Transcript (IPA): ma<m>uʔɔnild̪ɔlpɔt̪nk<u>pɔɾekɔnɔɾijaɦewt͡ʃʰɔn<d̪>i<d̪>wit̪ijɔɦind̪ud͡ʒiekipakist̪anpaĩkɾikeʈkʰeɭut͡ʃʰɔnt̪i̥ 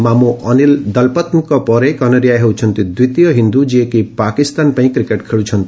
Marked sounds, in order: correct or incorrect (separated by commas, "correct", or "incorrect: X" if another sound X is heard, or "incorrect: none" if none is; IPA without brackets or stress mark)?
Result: correct, incorrect: ɔ, incorrect: t̪, correct